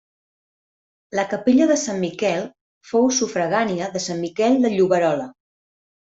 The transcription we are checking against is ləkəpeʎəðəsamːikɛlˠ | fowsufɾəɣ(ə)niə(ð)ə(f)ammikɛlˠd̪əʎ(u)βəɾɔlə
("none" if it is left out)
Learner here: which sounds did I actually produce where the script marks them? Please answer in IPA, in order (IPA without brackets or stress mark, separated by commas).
a, ð, s, u